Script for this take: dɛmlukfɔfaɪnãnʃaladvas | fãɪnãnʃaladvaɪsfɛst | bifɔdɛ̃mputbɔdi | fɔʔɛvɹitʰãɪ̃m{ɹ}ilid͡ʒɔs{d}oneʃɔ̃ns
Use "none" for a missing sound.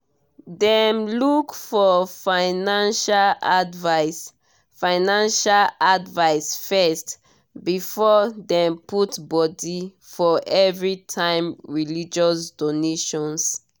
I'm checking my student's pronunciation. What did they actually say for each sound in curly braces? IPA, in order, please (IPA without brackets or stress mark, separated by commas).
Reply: ɹ, d